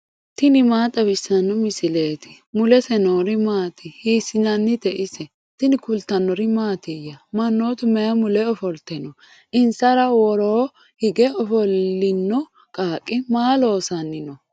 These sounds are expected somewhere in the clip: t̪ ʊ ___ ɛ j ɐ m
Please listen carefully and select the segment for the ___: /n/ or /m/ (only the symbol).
m